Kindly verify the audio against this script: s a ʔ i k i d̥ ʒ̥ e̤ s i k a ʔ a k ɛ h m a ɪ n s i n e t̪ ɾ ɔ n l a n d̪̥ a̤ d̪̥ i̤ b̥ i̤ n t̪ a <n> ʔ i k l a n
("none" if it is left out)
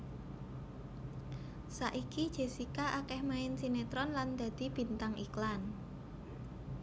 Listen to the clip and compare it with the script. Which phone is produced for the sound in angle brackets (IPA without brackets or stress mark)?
ŋ